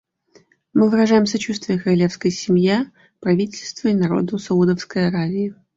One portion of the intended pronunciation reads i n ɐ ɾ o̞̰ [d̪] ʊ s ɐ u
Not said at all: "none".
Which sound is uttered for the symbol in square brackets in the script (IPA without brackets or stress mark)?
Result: d̪